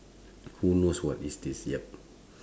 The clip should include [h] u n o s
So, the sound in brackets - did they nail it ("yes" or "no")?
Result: yes